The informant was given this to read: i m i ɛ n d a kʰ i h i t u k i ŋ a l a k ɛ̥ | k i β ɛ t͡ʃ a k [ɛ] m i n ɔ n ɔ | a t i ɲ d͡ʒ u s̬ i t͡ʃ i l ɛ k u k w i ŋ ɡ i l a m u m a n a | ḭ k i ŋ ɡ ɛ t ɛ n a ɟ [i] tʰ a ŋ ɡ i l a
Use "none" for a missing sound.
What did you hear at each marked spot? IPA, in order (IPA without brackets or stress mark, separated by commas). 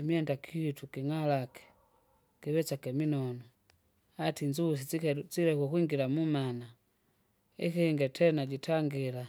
ɛ, i